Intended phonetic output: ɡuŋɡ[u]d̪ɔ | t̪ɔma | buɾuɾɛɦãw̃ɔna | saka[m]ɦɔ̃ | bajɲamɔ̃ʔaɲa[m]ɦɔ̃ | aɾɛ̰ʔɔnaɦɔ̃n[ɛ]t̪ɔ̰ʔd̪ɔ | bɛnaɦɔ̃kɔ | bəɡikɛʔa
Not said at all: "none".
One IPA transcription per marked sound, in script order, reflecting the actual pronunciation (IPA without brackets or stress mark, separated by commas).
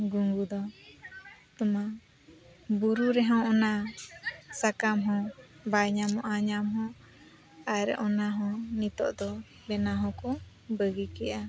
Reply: u, m, m, i